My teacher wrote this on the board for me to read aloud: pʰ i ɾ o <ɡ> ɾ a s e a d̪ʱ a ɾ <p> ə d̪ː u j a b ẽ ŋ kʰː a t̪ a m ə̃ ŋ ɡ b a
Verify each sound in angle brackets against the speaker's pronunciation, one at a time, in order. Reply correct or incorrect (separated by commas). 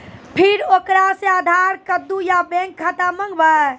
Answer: incorrect, incorrect